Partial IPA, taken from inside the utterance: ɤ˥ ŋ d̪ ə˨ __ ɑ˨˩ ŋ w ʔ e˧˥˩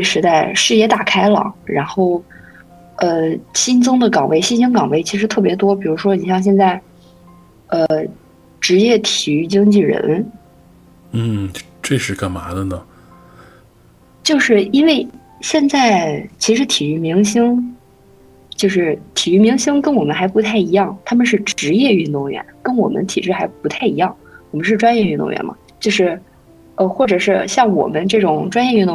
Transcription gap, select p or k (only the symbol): k